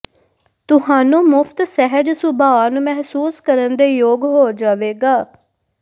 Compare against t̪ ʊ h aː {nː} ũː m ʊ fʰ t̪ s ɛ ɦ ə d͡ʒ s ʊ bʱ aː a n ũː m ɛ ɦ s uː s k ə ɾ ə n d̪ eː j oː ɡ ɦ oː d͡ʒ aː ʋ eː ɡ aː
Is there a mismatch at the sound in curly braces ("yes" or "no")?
yes